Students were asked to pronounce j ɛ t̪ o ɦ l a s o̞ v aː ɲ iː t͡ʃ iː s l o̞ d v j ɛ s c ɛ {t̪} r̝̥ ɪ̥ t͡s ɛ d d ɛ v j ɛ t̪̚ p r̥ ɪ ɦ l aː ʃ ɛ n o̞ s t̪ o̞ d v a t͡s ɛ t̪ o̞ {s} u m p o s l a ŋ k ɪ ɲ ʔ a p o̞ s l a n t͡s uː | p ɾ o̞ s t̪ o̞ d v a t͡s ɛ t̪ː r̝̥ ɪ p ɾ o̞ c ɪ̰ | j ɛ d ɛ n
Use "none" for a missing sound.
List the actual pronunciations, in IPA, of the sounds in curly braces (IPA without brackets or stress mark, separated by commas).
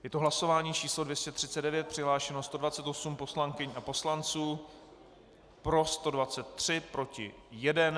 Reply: t̪, s